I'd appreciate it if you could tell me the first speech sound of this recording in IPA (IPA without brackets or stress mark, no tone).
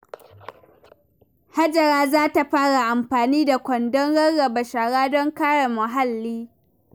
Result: h